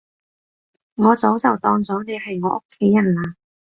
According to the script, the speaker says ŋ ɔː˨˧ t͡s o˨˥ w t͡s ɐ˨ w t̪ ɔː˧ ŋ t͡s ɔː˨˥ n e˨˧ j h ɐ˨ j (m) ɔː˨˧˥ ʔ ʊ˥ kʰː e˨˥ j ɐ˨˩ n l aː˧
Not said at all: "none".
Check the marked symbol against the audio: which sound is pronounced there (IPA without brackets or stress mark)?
ŋ